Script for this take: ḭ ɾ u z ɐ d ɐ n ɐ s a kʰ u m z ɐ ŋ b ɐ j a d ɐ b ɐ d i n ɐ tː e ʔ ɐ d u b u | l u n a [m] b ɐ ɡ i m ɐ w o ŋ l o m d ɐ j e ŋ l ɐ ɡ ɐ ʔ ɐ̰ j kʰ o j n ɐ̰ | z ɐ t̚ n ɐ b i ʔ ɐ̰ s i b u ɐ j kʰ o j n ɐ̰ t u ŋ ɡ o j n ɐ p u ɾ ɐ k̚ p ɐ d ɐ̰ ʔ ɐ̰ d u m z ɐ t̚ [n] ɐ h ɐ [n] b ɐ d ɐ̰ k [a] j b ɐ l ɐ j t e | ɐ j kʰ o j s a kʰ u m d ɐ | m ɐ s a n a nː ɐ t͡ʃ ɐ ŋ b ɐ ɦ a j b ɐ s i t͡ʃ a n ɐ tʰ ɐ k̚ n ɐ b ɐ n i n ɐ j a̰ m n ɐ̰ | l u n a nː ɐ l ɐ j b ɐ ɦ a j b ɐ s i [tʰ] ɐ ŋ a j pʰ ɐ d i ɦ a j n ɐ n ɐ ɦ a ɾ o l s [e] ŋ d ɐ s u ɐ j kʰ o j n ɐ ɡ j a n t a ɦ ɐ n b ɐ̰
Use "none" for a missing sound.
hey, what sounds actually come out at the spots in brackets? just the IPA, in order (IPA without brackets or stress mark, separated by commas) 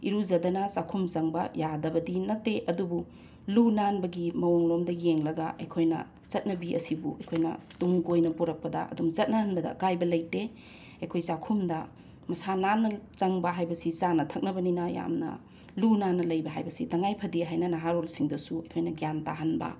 n, n, n, a, t, i